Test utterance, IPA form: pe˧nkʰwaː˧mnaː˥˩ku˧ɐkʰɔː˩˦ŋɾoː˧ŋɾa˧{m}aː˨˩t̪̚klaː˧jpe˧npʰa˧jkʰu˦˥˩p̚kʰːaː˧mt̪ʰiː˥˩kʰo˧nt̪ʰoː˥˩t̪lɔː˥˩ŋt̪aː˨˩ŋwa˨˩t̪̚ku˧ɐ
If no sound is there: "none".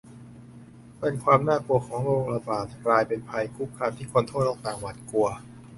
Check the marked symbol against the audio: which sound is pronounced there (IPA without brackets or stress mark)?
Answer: b